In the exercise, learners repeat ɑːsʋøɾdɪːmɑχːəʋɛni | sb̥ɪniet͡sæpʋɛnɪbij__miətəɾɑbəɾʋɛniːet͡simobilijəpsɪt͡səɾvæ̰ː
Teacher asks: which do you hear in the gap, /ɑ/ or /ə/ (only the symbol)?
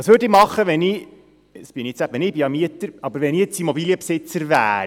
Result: ɑ